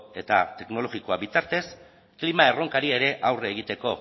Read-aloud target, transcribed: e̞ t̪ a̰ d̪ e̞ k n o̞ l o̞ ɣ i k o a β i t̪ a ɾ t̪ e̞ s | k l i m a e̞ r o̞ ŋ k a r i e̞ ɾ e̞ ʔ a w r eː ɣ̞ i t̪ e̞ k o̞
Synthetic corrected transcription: e̞ t̪ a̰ t̪ e̞ k n o̞ l o̞ ɣ i k o a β i t̪ a ɾ t̪ e̞ s | k l i m a e̞ r o̞ ŋ k a ɾ i e̞ ɾ e̞ ʔ a w r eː ɣ̞ i t̪ e̞ k o̞